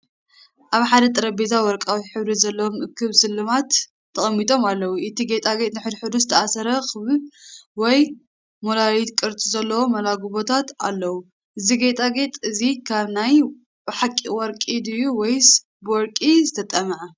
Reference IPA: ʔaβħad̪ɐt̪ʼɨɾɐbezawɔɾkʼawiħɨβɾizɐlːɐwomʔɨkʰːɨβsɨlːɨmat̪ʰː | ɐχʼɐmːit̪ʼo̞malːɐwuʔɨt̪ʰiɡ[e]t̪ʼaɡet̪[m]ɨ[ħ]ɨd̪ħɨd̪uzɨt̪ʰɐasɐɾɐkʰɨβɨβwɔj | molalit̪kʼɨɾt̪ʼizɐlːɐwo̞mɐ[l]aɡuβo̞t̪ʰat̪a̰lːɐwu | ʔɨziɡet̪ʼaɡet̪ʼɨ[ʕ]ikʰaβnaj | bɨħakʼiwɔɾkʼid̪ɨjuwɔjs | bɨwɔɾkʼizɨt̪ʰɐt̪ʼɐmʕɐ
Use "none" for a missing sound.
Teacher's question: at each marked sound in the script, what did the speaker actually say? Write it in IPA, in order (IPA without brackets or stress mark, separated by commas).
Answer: e, n, ħ, l, z